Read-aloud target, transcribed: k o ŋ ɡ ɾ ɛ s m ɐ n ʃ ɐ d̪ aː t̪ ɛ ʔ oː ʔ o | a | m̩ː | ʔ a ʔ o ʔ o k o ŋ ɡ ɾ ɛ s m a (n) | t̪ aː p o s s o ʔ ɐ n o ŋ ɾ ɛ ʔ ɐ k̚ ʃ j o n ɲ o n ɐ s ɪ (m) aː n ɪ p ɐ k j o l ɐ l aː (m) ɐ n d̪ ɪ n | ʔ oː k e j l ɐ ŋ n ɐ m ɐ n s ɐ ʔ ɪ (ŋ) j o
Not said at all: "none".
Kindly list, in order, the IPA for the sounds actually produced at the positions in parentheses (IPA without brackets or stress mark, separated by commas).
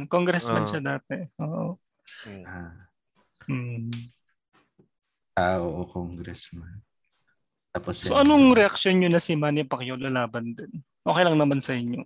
n, m, b, ɲ